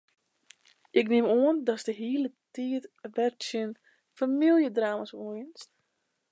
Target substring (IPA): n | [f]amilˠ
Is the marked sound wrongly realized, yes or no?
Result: no